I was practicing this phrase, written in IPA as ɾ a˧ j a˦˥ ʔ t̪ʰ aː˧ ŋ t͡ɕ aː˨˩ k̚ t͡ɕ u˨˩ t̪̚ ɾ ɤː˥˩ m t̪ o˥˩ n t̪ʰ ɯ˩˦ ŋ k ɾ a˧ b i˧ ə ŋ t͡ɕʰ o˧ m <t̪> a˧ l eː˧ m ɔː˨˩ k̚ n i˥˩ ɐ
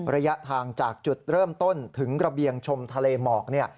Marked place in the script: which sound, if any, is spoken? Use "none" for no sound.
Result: t̪ʰ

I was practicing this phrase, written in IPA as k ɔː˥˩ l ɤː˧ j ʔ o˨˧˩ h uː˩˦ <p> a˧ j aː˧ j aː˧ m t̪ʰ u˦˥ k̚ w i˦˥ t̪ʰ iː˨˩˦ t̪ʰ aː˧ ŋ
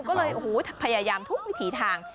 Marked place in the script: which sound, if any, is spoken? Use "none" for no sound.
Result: pʰ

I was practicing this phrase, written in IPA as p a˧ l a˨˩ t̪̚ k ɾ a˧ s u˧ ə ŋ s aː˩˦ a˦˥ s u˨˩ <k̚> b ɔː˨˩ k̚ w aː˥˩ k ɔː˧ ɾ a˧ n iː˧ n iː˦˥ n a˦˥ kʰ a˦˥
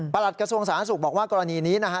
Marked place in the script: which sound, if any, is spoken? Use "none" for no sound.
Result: k̚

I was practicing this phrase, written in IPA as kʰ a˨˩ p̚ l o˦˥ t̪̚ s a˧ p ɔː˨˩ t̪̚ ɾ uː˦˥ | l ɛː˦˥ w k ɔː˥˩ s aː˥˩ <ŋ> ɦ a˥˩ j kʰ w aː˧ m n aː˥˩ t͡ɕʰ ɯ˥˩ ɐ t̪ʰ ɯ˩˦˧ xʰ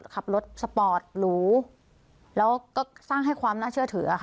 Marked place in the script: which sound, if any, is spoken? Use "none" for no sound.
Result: ŋ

